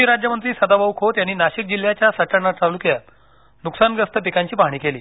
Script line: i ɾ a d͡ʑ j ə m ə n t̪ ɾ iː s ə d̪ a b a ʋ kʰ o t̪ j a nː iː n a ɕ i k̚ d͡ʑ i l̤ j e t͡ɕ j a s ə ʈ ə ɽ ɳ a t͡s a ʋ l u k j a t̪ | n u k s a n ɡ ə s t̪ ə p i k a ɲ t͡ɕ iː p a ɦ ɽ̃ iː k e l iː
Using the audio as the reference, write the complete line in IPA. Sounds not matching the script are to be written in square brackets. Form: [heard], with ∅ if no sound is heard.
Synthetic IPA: i ɾ a d͡ʑ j ə m ə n t̪ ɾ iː s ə d̪ a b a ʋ kʰ o t̪ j a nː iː n a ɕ i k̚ d͡ʑ i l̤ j [a] t͡ɕ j a s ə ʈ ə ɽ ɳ a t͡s a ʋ l u k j a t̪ | n u k s a n ɡ ə s t̪ ə p i k a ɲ t͡ɕ iː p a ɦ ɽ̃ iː k e l iː